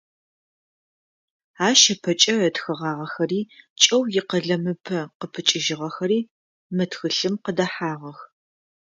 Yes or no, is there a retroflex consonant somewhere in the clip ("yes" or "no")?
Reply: no